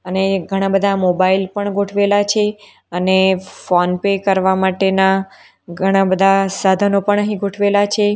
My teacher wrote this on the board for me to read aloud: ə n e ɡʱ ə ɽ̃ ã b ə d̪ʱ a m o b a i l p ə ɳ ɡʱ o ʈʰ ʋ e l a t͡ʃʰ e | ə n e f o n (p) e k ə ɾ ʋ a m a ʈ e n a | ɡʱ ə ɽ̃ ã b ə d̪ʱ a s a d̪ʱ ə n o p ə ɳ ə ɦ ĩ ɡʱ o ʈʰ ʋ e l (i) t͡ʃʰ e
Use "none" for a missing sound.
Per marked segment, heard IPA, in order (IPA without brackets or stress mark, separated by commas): p, a